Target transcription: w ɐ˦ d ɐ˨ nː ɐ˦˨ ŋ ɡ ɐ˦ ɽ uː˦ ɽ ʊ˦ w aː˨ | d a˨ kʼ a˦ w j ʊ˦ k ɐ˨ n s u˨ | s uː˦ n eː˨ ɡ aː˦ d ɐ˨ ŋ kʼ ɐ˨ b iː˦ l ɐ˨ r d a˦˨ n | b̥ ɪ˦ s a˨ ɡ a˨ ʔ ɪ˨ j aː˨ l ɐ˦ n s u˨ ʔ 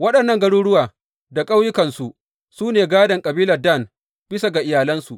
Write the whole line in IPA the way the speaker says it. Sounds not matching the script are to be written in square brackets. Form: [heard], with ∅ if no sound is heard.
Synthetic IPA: w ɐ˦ [ɗ] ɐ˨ nː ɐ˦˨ ŋ ɡ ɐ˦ ɽ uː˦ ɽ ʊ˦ w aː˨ | d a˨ kʼ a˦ w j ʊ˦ k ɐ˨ n s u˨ | s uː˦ n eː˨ ɡ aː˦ d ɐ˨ ŋ kʼ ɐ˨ b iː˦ l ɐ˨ r d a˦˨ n | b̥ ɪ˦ s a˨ ɡ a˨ ʔ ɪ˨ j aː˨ l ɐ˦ n s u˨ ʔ